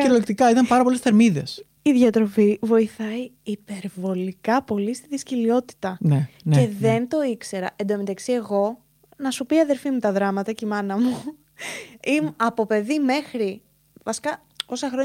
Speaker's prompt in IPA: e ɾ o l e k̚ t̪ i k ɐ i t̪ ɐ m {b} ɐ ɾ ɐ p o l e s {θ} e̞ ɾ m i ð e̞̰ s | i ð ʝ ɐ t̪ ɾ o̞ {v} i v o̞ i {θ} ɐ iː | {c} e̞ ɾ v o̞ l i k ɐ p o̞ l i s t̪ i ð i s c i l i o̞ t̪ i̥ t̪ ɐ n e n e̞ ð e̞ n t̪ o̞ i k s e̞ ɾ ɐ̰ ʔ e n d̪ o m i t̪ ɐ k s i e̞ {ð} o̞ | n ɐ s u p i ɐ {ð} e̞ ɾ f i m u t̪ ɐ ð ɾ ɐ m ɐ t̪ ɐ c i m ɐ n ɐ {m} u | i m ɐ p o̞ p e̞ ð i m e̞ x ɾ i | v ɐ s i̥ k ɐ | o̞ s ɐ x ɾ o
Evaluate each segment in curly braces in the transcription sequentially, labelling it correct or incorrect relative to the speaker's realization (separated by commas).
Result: incorrect, correct, incorrect, correct, incorrect, incorrect, correct, correct